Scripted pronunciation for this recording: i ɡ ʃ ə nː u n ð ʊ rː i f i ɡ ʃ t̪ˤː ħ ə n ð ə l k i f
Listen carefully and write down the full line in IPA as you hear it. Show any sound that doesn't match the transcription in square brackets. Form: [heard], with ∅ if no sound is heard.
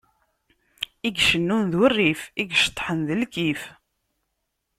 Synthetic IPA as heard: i ɡ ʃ ə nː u n ð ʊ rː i f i ɡ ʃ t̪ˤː ħ ə n ð ə l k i f